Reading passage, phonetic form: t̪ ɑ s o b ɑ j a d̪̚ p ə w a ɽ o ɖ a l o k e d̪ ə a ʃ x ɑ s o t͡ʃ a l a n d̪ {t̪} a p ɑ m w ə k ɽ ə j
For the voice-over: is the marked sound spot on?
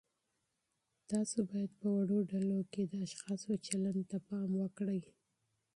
yes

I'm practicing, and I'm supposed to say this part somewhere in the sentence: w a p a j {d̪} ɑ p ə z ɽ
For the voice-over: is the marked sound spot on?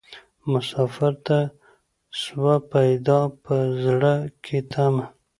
yes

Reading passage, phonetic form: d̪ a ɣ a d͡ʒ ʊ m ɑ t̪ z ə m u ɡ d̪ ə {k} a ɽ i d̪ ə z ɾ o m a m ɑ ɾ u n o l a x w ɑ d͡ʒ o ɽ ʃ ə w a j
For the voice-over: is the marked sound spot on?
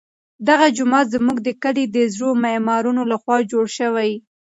yes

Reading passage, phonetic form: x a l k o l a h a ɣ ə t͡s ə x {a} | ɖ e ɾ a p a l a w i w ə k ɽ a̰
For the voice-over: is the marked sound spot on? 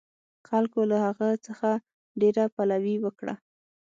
yes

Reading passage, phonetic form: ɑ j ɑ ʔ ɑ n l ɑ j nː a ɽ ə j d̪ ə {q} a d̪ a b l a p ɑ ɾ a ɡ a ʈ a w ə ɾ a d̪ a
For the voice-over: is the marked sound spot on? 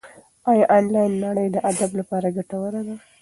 no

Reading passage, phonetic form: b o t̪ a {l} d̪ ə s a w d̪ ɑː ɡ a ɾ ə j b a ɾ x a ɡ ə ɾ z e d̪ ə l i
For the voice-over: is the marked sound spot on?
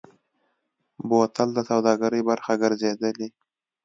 yes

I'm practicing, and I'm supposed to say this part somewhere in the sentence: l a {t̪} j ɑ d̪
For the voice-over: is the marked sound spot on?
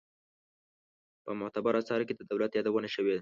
yes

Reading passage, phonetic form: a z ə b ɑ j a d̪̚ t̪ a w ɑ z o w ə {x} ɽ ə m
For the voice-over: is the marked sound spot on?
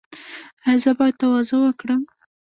no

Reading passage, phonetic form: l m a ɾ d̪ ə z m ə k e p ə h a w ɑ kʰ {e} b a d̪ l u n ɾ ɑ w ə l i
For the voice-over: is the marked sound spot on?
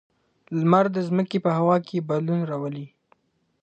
yes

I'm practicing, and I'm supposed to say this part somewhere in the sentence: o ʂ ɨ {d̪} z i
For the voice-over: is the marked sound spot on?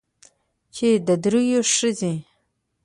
no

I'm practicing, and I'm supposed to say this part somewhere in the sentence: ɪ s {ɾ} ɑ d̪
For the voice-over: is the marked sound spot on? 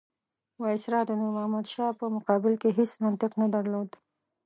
yes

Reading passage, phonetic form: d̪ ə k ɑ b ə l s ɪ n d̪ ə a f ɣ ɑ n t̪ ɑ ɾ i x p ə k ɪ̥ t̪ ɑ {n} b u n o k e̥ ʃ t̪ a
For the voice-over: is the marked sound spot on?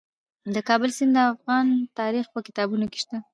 no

